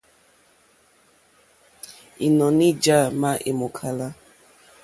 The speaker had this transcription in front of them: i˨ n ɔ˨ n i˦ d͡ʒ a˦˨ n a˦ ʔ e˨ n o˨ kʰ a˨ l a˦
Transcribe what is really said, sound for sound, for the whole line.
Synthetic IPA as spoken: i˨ n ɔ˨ n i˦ d͡ʒ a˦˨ m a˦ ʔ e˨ m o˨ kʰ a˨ l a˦